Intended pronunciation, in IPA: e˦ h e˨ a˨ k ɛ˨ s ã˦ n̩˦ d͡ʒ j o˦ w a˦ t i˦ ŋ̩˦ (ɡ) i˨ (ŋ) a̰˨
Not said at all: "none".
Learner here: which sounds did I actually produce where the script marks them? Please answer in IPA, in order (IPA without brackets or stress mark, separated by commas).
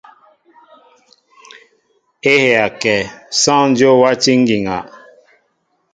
ɡ, ŋ